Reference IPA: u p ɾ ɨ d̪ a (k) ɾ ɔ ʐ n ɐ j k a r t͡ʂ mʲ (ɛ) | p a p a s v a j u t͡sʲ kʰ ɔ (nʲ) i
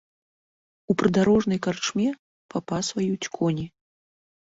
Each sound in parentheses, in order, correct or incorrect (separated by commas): incorrect, correct, correct